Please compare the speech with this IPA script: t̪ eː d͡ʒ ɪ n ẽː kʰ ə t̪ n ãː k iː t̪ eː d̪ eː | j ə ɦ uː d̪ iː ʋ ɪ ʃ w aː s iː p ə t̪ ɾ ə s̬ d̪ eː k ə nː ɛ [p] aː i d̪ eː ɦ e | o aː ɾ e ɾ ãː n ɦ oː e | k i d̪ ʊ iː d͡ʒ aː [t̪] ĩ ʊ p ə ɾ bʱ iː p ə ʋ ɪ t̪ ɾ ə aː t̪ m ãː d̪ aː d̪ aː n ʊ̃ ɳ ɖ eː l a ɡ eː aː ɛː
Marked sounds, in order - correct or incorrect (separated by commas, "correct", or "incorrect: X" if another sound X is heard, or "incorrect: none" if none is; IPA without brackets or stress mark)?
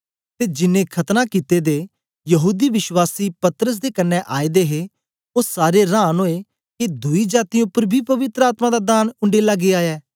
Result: incorrect: ʔ, correct